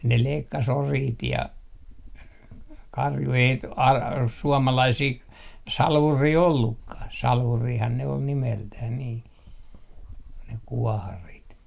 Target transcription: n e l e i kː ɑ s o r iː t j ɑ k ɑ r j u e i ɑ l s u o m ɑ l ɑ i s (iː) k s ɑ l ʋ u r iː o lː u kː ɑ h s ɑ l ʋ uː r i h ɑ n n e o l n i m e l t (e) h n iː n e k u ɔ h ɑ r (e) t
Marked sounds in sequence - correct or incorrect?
correct, incorrect: æ, incorrect: i

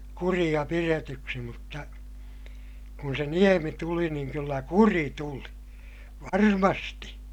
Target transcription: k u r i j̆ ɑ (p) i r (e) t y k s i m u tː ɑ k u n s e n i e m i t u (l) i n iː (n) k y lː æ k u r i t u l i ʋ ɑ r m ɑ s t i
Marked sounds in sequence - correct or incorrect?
correct, correct, correct, incorrect: ŋ

